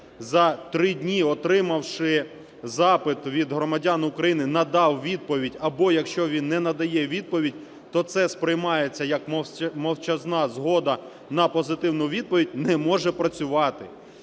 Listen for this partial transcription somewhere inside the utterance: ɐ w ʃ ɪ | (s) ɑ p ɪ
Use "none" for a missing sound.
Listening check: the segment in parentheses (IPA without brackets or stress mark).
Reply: z